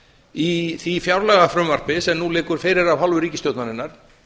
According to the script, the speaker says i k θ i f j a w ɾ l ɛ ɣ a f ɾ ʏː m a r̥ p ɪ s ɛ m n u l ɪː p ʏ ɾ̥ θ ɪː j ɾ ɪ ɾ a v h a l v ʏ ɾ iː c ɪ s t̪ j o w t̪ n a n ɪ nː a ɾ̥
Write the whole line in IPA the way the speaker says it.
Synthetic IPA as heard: i θ i f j a w ɾ l ɛ ɣ a f ɾ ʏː m a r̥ p ɪ s ɛ m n u l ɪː k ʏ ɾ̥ f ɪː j ɾ ɪ ɾ a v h a l v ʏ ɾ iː c ɪ s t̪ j o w t̪ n a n ɪ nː a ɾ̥